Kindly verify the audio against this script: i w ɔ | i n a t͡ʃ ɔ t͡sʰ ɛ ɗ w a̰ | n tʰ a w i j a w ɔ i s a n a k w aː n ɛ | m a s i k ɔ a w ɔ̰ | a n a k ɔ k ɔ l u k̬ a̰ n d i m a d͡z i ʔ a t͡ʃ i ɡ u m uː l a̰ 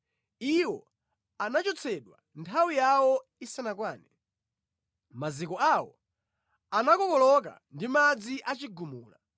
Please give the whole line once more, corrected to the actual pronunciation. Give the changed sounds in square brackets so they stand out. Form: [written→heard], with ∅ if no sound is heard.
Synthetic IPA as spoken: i w ɔ | [i→a] n a t͡ʃ ɔ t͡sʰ ɛ ɗ w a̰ | n tʰ a w i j a w ɔ i s a n a k w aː n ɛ | m a [s→z] i k ɔ a w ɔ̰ | a n a k ɔ k ɔ l [u→ɔ] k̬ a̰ n d i m a d͡z i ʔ a t͡ʃ i ɡ u m uː l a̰